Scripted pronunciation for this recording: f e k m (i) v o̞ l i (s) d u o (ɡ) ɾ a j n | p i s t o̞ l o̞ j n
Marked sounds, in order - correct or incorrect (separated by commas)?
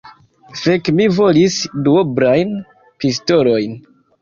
correct, correct, incorrect